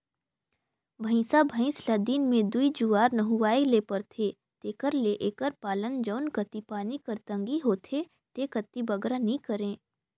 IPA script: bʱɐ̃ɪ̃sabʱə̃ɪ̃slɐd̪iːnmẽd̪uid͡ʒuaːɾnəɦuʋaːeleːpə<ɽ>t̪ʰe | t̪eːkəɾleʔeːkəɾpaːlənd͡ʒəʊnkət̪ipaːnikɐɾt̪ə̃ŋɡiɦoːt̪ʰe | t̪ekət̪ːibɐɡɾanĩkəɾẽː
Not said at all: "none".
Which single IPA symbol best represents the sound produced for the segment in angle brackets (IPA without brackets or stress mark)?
ɾ